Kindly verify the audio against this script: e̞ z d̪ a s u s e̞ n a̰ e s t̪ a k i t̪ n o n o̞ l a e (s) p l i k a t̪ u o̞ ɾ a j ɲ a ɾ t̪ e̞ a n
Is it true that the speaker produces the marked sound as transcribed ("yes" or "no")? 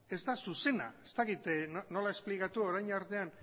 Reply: yes